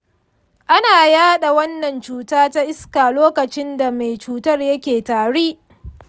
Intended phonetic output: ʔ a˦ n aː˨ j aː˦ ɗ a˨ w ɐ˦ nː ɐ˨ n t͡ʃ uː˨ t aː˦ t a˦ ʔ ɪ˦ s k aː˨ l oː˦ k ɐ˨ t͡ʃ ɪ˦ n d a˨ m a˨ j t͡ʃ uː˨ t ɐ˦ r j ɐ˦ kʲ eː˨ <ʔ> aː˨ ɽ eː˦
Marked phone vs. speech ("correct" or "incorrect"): incorrect